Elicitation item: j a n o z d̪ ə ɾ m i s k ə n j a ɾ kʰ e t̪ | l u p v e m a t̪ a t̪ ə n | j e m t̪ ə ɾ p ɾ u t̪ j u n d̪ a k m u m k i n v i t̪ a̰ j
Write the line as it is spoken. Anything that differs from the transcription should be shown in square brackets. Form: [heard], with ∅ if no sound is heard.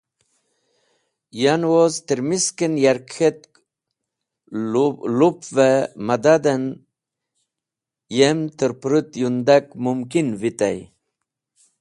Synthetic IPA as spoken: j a n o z [t̪] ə ɾ m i s k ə n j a ɾ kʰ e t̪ | l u p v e m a [d̪] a [d̪] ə n | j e m t̪ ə ɾ p ɾ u t̪ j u n d̪ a k m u m k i n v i t̪ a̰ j